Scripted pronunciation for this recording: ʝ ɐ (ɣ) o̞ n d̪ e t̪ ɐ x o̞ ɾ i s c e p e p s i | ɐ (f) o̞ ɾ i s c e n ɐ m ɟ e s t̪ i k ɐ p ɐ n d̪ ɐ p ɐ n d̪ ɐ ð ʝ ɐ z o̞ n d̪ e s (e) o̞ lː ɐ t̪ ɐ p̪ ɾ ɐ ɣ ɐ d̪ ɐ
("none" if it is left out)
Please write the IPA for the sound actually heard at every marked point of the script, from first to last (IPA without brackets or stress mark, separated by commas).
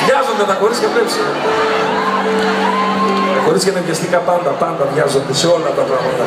z, x, e